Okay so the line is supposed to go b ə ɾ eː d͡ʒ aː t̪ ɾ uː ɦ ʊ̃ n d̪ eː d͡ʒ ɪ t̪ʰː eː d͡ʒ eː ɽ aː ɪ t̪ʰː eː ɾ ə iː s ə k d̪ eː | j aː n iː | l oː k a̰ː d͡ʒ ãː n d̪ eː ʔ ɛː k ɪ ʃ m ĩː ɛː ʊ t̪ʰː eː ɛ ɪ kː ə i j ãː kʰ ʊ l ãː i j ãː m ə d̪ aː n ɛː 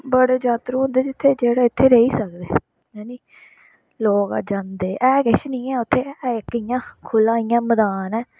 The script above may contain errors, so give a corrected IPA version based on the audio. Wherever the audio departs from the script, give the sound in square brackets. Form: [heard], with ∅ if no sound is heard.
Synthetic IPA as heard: b ə [ɽ] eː d͡ʒ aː t̪ ɾ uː ɦ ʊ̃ n d̪ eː d͡ʒ ɪ t̪ʰː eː d͡ʒ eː ɽ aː ɪ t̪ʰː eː ɾ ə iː s ə k d̪ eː | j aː n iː | l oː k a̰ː d͡ʒ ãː n d̪ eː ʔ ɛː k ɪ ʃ [n] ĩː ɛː ʊ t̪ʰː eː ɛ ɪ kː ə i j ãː kʰ ʊ l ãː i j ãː m ə d̪ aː n ɛː